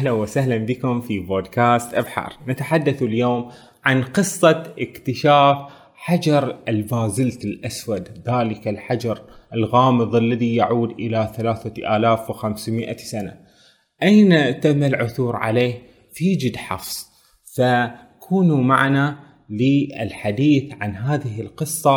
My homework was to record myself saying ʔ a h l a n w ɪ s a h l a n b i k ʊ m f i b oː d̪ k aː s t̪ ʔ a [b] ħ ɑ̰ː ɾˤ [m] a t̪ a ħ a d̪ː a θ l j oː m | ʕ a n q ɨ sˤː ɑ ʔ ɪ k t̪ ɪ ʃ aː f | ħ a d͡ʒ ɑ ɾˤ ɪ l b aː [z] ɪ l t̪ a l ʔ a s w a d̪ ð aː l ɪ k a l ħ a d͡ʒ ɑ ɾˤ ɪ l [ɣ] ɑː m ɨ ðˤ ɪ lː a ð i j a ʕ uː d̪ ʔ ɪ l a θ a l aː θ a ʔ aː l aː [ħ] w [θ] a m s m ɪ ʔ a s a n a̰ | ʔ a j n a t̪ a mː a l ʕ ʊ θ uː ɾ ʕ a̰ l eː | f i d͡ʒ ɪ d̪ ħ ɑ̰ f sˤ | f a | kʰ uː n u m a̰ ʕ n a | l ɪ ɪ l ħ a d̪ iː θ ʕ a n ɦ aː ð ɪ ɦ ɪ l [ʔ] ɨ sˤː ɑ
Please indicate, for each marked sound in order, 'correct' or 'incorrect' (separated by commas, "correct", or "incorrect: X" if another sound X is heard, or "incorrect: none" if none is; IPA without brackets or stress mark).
correct, incorrect: n, correct, correct, incorrect: f, incorrect: x, incorrect: q